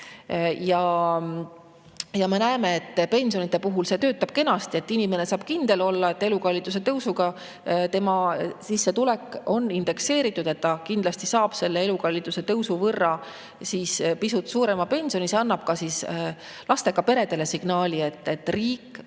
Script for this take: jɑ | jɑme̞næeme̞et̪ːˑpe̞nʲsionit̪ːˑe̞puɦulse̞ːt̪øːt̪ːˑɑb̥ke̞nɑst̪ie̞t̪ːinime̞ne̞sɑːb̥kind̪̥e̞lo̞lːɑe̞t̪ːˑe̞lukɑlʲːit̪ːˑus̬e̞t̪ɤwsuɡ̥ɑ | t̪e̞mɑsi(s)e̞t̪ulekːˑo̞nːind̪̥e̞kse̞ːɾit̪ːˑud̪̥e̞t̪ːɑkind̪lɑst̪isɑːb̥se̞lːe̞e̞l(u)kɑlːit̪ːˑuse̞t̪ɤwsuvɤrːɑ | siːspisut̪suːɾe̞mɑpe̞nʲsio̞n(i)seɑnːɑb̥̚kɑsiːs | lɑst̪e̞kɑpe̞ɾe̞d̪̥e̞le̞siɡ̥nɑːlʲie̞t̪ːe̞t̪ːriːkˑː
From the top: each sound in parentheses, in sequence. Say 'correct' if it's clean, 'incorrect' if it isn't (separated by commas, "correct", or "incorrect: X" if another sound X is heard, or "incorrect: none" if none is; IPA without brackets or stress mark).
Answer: incorrect: sː, correct, correct